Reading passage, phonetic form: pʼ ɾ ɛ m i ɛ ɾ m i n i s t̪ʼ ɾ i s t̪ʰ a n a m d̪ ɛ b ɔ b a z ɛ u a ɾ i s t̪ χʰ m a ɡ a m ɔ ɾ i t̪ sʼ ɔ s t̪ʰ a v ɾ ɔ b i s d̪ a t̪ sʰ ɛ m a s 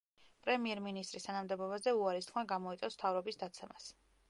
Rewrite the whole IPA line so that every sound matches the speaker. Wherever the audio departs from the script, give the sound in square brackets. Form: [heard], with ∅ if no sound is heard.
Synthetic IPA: pʼ ɾ ɛ m i ɛ ɾ m i n i s t̪ʼ ɾ i s t̪ʰ a n a m d̪ ɛ b ɔ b a z ɛ u a ɾ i s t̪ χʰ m a ɡ a m ɔ [∅] i t̪ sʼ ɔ s t̪ʰ a v ɾ ɔ b i s d̪ a t̪ sʰ ɛ m a s